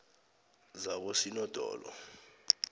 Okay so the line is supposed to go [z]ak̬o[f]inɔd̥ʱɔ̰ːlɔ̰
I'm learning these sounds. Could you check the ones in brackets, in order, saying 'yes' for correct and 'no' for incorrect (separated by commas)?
yes, no